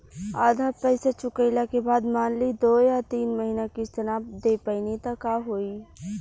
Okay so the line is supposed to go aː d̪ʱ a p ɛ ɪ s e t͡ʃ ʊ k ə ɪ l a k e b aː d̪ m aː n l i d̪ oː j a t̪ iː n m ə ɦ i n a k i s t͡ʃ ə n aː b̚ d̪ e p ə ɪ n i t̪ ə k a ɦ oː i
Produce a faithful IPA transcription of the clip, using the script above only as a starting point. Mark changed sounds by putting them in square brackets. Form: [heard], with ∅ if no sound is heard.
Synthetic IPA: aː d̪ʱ a p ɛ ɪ s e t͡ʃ ʊ k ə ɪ l a k e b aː d̪ m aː n l i d̪ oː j a t̪ iː n m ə ɦ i n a k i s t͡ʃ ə n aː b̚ d̪ e p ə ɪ n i t̪ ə k a ɦ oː i

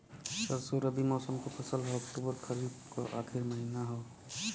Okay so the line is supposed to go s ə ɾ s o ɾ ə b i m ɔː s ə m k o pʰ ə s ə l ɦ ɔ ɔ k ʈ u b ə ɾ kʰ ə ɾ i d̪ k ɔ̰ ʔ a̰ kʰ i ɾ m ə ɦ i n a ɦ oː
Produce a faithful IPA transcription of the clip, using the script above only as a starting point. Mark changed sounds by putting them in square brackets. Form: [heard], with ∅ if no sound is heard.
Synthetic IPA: s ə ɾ s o ɾ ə b i m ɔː s ə m k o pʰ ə s ə l ɦ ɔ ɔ k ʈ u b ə ɾ kʰ ə ɾ i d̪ k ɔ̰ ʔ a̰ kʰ i ɾ m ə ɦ i n a ɦ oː

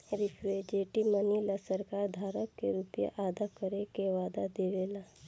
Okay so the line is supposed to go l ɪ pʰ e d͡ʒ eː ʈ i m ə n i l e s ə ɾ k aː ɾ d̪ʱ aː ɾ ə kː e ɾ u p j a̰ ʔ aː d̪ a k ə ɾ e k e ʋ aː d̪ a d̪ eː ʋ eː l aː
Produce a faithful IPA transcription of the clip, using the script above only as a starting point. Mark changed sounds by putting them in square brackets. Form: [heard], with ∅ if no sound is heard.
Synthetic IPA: [ɾ] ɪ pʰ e d͡ʒ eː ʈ i m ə n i l [a] s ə ɾ k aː ɾ d̪ʱ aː ɾ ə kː e ɾ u p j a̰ ʔ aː d̪ a k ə ɾ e k e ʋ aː d̪ a d̪ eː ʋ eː l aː

